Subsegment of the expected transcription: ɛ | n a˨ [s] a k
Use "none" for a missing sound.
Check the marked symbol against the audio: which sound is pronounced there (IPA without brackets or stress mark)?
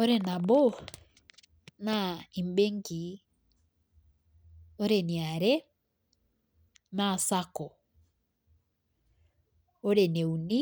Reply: s